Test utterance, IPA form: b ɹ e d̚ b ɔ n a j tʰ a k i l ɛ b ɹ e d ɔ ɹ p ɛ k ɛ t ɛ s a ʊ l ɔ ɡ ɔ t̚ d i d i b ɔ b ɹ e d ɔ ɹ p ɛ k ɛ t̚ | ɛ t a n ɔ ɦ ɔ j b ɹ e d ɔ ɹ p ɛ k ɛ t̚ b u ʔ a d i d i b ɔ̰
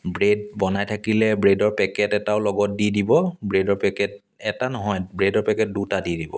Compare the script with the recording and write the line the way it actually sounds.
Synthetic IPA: b ɹ e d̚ b ɔ n a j tʰ a k i l ɛ b ɹ e d ɔ ɹ p ɛ k ɛ t ɛ t a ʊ l ɔ ɡ ɔ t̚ d i d i b ɔ b ɹ e d ɔ ɹ p ɛ k ɛ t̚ | ɛ t a n ɔ ɦ ɔ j b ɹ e d ɔ ɹ p ɛ k ɛ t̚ d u t a d i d i b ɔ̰

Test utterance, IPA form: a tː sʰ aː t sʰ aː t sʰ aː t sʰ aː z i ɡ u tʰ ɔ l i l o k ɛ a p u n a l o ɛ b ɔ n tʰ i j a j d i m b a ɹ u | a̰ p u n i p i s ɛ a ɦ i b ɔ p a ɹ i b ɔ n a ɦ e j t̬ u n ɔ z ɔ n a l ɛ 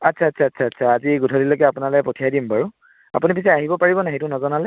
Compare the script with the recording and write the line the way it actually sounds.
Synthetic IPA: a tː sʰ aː t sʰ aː t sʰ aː t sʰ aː z i ɡ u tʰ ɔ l i l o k ɛ a p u n a l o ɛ p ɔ tʰ i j a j d i m b a ɹ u | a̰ p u n i p i s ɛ a ɦ i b ɔ p a ɹ i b ɔ n a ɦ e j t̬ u n ɔ z ɔ n a l ɛ

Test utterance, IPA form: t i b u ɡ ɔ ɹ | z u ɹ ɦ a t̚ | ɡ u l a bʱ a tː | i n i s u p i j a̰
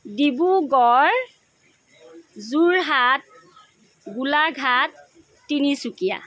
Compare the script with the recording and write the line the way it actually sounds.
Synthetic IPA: d i b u ɡ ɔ ɹ | z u ɹ ɦ a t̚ | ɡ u l a ɡʱ a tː | i n i s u k i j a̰

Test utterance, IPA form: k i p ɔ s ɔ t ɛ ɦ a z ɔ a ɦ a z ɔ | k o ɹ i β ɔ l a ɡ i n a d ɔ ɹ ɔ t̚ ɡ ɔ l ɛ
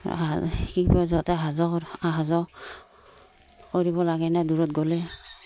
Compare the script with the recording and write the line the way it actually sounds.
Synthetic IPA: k i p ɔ z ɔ t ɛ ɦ a z ɔ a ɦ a z ɔ | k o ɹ i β ɔ l a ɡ ɛ n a d u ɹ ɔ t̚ ɡ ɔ l ɛ

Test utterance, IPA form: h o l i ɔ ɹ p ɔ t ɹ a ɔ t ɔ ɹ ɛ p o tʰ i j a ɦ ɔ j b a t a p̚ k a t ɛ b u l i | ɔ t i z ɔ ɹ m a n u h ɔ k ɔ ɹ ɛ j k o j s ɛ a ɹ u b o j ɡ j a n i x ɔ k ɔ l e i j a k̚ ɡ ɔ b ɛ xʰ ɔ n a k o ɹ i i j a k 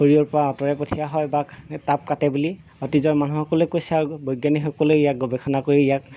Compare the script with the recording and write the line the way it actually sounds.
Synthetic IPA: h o ɹ i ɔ ɹ p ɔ ɹ a ɔ t ɔ ɹ ɛ p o tʰ i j a ɦ ɔ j b a t a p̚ k a t ɛ b u l i | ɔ t i z ɔ ɹ m a n u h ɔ k ɔ l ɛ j k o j s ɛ a ɹ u b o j ɡ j a n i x ɔ k ɔ l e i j a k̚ ɡ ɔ b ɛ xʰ ɔ n a k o ɹ i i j a k

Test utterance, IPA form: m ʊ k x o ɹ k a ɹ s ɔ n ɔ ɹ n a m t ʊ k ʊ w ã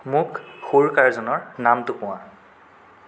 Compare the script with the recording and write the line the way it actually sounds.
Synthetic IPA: m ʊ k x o ɹ k a ɹ z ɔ n ɔ ɹ n a m t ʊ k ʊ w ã

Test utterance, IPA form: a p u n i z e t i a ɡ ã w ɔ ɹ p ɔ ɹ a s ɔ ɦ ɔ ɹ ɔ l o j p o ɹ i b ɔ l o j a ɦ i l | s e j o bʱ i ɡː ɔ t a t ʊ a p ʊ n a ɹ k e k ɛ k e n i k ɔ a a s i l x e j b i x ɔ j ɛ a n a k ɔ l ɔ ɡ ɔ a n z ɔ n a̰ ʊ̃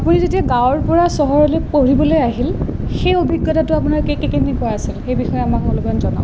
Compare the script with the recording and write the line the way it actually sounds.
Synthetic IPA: a p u n i z e t i a ɡ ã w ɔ ɹ p ɔ ɹ a s ɔ ɦ ɔ ɹ ɔ l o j p o ɹ i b ɔ l o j a ɦ i l | x e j o bʱ i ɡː ɔ t a t ʊ a p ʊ n a ɹ k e k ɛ k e n i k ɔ a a s i l x e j b i x ɔ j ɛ a m a k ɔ l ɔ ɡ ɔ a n z ɔ n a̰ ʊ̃

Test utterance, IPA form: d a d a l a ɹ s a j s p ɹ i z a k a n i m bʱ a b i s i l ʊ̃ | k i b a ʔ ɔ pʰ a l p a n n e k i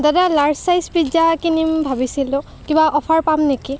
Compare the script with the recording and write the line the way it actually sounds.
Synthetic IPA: d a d a l a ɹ s a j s p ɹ i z a k i n i m bʱ a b i s i l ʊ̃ | k i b a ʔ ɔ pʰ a ɹ p a m n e k i

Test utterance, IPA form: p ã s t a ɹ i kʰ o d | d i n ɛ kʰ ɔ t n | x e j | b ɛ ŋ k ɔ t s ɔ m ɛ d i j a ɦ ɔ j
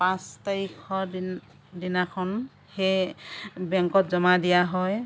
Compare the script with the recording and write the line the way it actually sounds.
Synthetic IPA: p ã s t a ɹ i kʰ ɔ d | d i n a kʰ ɔ n | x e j | b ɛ ŋ k ɔ t z ɔ m a d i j a ɦ ɔ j

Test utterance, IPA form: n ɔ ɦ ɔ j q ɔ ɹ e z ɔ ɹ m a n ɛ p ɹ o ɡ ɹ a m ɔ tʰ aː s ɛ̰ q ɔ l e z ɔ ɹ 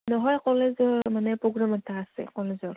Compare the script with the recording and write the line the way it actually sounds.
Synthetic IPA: n ɔ ɦ ɔ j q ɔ l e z ɔ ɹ m a n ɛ p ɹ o ɡ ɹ a m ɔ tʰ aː s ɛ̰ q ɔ l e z ɔ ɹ

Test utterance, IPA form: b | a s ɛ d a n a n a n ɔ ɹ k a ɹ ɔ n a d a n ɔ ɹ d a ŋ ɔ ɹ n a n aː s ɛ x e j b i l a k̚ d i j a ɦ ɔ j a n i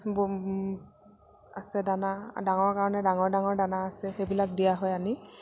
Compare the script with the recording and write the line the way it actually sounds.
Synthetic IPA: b | a s ɛ d a n a d a ŋ ɔ ɹ k a ɹ ɔ n ɛ d a ŋ ɔ ɹ d a ŋ ɔ ɹ d a n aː s ɛ x e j b i l a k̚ d i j a ɦ ɔ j a n i

